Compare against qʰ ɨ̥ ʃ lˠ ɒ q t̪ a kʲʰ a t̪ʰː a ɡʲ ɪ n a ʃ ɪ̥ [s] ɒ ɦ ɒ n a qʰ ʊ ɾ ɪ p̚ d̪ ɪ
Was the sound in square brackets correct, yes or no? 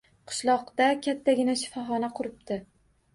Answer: no